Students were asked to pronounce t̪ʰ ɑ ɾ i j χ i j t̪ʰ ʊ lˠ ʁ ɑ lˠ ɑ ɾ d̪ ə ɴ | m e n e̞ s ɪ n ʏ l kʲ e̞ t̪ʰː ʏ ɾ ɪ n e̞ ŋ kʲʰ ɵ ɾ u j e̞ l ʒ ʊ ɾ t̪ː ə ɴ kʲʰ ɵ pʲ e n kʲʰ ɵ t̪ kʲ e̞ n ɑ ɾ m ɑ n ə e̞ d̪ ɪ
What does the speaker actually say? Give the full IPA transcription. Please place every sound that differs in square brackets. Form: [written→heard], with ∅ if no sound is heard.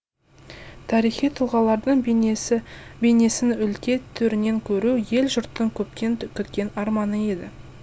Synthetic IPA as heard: t̪ʰ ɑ ɾ i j χ i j t̪ʰ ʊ lˠ ʁ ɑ lˠ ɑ ɾ d̪ ə ɴ | [m→b] e n e̞ s ɪ n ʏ l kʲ e̞ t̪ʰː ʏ ɾ ɪ n e̞ ŋ kʲʰ ɵ ɾ u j e̞ l ʒ ʊ ɾ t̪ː ə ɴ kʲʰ ɵ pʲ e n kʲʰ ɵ t̪ kʲ e̞ n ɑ ɾ m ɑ n ə e̞ d̪ ɪ